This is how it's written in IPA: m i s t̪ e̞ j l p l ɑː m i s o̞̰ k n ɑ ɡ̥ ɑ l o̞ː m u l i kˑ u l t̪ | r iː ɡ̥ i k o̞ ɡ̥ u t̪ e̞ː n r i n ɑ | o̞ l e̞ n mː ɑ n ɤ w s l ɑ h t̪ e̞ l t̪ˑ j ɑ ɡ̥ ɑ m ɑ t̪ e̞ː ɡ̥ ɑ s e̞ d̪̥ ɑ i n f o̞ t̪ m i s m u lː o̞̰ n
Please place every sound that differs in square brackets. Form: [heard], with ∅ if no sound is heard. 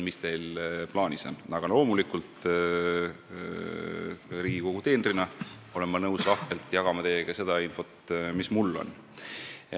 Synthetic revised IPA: m i s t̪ e̞ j l p l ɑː [n] i s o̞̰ [∅] n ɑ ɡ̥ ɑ l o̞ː m u l i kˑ u l t̪ | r iː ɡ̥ i k o̞ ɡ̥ u t̪ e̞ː n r i n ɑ | o̞ l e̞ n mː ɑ n ɤ w s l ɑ h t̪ e̞ l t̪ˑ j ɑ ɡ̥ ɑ m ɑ t̪ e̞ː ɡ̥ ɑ s e̞ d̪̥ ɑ i n f o̞ t̪ m i s m u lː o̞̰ n

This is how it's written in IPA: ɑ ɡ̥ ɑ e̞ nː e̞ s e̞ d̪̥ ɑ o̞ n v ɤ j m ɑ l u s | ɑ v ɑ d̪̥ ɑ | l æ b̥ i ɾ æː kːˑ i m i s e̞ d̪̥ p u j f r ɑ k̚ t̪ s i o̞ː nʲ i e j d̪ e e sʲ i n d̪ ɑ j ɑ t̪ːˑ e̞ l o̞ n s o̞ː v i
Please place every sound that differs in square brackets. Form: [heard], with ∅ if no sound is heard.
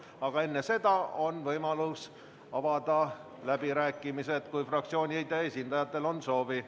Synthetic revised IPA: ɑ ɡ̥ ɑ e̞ nː e̞ s e̞ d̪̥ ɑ o̞ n v ɤ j m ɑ l u s | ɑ v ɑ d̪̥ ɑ | l æ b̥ i ɾ æː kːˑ i m i s e̞ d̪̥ [k] u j f r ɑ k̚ t̪ s i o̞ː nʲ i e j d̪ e e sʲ i n d̪ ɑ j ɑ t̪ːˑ e̞ l o̞ n s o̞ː v i

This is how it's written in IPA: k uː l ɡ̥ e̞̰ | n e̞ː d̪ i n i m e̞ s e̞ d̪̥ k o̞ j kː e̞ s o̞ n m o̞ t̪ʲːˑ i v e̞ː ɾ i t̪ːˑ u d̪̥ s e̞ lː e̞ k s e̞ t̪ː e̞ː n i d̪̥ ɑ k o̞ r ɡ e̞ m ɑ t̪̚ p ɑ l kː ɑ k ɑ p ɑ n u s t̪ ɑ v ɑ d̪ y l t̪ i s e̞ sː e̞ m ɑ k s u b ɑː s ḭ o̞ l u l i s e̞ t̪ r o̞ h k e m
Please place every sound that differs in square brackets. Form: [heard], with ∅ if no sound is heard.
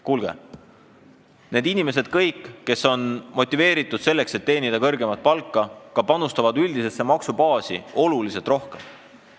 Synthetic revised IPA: k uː l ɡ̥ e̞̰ | n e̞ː d̪ i n i m e̞ s e̞ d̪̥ k [ɤ̞] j kː e̞ s o̞ n m o̞ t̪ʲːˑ i v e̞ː ɾ i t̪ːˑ u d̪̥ s e̞ lː e̞ k s e̞ t̪ː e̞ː n i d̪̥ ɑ k [ɤ̞] r ɡ e̞ m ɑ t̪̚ p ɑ l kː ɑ k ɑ p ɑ n u s t̪ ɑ v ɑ d̪ y l [d̪] i s e̞ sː e̞ m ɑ k s u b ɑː s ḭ o̞ l u l i s e̞ t̪ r o̞ h k e m

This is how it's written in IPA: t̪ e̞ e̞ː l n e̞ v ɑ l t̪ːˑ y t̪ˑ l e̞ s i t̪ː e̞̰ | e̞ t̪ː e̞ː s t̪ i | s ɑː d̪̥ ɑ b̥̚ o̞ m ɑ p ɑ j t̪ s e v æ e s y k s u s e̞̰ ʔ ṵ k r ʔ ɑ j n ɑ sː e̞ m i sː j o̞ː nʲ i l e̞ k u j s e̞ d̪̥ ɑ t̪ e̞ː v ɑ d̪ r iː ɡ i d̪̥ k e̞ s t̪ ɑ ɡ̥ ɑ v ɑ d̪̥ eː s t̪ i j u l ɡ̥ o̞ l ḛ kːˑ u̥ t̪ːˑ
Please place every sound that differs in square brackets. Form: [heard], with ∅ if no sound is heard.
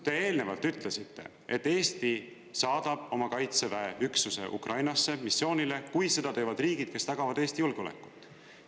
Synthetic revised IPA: t̪ e̞ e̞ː l n e̞ v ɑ l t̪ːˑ y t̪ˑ l e̞ s i t̪ː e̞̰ | e̞ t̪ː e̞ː s t̪ i | s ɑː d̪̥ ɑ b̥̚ o̞ m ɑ [k] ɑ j t̪ s e v æ e [∅] y k s u s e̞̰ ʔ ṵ k r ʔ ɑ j n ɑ sː e̞ m i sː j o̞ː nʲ i l e̞ k u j s e̞ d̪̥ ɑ t̪ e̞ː v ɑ d̪ r iː ɡ i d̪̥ k e̞ s t̪ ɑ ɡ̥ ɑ v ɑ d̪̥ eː s t̪ i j u l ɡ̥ o̞ l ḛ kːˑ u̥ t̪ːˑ

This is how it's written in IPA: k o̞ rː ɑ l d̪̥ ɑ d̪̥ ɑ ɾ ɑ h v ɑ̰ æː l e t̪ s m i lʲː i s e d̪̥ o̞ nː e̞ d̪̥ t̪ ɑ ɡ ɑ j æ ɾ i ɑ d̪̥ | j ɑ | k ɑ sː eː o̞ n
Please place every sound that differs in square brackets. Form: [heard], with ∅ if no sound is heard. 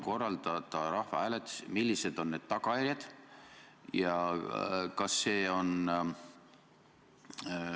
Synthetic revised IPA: k o̞ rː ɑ l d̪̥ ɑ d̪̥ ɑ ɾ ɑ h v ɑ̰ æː l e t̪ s m i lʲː i s e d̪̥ o̞ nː e̞ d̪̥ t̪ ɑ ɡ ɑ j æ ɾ [j] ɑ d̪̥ | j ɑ | k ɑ sː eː o̞ n

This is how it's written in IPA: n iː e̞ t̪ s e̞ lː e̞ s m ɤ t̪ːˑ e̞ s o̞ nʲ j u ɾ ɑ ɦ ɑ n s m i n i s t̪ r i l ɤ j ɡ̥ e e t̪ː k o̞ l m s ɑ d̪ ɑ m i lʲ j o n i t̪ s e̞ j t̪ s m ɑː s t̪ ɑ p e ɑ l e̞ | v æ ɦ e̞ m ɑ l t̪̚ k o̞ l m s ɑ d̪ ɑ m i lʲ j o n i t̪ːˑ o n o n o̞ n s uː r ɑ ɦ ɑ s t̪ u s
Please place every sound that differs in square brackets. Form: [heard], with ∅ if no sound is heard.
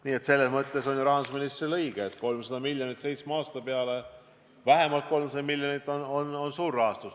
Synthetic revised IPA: n iː e̞ t̪ s e̞ lː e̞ s m ɤ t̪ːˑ e̞ s o̞ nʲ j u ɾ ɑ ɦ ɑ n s m i n i s t̪ r i l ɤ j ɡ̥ e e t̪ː k o̞ l m s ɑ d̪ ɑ m i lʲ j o n i t̪ s e̞ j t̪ s m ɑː s t̪ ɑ p e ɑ l e̞ | v æ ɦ e̞ m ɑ l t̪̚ k o̞ l m s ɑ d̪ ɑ m i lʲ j o n i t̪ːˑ o n o n o̞ n s uː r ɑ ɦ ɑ s t̪ u s

